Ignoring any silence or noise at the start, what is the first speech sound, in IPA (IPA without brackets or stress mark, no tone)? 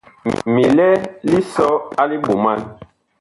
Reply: m